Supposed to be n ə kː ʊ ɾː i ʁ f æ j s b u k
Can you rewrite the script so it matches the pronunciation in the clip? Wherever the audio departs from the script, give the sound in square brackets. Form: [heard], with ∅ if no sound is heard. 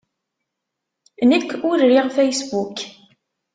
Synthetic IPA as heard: n ə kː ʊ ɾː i ʁ f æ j s b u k